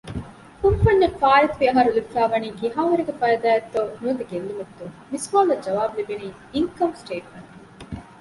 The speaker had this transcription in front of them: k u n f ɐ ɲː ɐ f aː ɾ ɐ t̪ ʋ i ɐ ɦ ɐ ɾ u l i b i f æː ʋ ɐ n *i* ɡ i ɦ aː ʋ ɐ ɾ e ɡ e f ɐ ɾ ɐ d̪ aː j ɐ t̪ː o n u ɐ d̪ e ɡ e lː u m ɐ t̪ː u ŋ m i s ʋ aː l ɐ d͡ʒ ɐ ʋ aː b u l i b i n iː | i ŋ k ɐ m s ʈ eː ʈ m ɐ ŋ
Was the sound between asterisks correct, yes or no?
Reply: no